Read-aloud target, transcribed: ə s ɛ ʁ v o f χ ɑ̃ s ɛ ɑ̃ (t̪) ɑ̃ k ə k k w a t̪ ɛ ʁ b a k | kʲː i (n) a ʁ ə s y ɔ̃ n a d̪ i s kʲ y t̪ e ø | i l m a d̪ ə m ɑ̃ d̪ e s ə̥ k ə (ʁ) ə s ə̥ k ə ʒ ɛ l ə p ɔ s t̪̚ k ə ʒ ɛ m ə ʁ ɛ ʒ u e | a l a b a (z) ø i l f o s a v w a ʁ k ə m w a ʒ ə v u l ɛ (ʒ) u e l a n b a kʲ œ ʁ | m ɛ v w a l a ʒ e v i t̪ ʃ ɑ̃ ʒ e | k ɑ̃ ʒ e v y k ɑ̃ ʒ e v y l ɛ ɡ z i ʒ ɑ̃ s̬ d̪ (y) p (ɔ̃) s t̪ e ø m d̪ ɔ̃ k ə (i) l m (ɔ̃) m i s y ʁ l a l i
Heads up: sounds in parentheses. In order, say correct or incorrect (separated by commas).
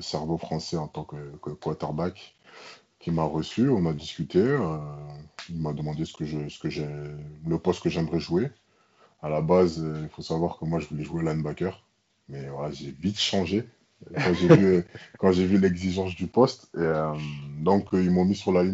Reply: correct, incorrect, incorrect, correct, correct, correct, incorrect, correct, correct